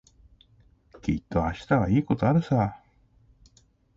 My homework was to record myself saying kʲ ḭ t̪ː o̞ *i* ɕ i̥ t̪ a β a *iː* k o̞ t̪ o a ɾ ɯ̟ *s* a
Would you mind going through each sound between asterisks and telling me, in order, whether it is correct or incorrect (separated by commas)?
incorrect, correct, correct